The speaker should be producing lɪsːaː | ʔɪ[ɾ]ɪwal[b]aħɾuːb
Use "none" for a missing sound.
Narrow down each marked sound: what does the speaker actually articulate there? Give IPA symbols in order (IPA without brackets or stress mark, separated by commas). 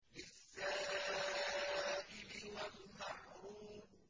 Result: l, m